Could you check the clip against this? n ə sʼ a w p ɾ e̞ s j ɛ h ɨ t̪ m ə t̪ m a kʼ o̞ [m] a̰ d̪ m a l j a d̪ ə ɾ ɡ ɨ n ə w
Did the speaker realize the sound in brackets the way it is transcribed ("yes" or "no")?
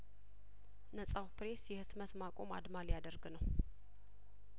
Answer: yes